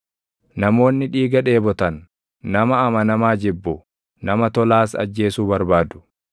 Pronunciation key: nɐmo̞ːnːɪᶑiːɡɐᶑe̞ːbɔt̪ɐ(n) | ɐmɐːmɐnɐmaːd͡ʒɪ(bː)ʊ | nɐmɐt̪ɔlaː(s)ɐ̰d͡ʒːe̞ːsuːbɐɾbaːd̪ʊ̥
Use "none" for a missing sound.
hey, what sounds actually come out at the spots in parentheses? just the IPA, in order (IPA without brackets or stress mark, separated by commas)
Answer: nː, bː, s